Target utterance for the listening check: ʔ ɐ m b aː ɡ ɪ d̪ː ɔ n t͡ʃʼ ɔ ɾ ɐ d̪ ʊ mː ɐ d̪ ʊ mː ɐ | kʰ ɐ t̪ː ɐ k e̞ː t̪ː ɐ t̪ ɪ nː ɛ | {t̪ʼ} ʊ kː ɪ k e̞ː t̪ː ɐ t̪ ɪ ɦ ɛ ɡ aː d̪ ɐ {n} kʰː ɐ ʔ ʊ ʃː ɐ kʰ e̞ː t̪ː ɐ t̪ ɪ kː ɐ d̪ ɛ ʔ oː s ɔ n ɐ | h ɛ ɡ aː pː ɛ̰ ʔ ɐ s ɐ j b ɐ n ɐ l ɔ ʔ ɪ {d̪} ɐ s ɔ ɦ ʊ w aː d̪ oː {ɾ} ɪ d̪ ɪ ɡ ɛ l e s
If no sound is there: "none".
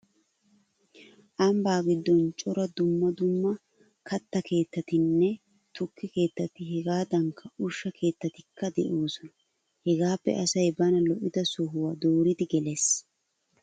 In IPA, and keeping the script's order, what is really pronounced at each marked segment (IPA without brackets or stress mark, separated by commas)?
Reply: t̪, ŋ, d̪, ɾ